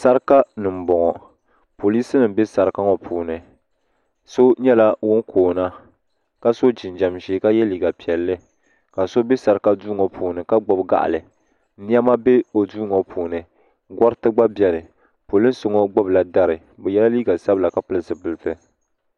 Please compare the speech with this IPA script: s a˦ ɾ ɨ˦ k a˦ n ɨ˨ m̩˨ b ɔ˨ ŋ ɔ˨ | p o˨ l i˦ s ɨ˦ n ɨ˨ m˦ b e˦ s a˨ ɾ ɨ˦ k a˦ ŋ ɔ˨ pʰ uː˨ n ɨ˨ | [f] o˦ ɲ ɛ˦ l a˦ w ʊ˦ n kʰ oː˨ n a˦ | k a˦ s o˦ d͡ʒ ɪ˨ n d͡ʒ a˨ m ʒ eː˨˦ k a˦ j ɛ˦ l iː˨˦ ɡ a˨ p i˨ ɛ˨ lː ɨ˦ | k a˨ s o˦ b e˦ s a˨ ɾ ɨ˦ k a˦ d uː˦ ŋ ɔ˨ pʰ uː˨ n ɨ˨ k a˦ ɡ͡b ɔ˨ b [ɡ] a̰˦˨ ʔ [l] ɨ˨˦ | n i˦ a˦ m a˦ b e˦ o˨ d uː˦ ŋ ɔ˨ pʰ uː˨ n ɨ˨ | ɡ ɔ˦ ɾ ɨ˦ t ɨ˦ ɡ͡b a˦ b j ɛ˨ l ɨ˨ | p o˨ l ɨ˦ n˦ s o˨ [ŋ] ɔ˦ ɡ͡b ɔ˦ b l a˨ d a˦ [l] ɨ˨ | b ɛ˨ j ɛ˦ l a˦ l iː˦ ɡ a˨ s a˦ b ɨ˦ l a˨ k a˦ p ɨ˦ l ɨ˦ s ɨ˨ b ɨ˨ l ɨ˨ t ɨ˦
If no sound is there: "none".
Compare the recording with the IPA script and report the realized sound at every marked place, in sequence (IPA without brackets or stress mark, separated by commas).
s, ɡ, l, ŋ, ɾ